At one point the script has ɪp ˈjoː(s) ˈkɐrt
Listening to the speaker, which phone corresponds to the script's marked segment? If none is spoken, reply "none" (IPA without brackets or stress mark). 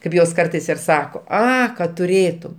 s